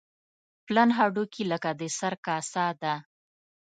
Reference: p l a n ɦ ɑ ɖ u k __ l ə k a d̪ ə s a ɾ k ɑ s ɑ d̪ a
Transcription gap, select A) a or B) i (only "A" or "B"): B